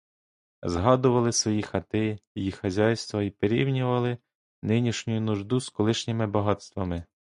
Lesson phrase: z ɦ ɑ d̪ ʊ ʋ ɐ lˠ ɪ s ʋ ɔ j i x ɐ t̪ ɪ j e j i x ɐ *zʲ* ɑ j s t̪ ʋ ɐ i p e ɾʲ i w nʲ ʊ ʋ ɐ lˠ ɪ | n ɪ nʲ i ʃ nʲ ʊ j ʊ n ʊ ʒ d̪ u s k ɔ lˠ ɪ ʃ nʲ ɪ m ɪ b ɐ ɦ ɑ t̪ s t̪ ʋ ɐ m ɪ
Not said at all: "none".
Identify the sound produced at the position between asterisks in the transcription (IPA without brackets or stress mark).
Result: zʲ